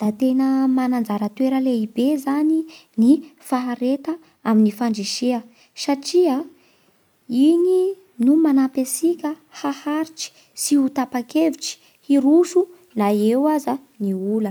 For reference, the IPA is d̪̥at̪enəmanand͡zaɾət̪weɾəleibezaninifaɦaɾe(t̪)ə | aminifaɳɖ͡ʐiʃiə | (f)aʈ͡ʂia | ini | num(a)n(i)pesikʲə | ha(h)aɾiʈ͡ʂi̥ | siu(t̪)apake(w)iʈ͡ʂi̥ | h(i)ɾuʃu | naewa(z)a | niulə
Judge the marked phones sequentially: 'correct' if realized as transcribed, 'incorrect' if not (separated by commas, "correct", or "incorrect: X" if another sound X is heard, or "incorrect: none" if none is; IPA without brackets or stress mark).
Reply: correct, incorrect: s, correct, incorrect: a, correct, correct, incorrect: v, correct, correct